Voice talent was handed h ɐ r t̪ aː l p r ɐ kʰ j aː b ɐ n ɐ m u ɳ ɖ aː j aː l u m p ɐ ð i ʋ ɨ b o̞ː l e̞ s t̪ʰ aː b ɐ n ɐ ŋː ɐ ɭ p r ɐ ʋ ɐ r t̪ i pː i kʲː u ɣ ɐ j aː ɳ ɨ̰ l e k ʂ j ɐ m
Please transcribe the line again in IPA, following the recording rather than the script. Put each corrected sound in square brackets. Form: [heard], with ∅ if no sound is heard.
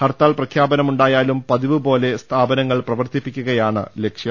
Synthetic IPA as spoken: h ɐ r t̪ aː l p r ɐ kʰ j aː b ɐ n ɐ m u ɳ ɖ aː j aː l u m p ɐ ð i ʋ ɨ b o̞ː l e̞ s t̪ʰ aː b ɐ n ɐ ŋː ɐ ɭ p r ɐ ʋ ɐ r t̪ i pː i kʲː u ɣ ɐ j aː ɳ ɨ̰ l e k ʂ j ɐ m